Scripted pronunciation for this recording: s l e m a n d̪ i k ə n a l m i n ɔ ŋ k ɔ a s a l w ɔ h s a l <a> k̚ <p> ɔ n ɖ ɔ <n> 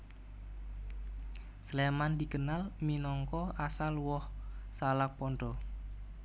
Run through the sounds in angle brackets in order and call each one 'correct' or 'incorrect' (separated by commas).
correct, correct, incorrect